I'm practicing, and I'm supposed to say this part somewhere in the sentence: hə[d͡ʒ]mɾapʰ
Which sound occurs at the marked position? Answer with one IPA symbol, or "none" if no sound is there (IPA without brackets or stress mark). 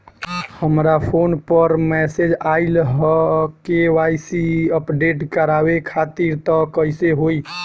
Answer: none